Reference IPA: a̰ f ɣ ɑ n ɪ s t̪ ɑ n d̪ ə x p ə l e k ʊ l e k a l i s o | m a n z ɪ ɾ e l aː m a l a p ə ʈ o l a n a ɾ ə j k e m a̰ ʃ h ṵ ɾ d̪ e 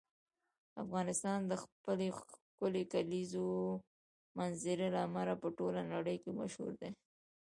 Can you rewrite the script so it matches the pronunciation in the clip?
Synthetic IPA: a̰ f ɣ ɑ n ɪ s t̪ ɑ n d̪ ə x p ə l e k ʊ l e k a l i z o | m a n z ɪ ɾ e l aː m a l a p ə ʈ o l a n a ɽ ə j k e m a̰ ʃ h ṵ ɾ d̪ e